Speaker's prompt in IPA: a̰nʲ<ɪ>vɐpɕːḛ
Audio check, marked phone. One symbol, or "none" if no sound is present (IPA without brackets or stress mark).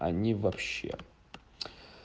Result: i